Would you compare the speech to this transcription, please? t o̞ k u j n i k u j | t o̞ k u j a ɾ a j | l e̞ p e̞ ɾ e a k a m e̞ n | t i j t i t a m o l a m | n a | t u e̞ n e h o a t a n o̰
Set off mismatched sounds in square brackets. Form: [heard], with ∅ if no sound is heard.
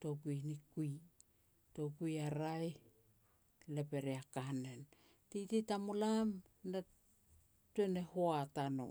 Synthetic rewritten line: t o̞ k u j n i k u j | t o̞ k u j a ɾ a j | l e̞ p e̞ ɾ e a k a [n] e̞ n | t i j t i t a m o l a m | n a | t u e̞ n e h o a t a n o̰